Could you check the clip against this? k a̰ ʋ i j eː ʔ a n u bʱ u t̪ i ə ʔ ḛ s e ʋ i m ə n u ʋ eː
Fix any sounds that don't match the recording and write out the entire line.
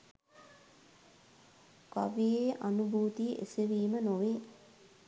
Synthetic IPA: k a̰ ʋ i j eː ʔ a n u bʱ uː t̪ i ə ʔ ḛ s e ʋ iː m ə n o ʋ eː